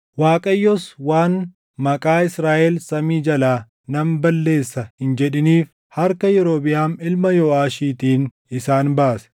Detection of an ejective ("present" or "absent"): present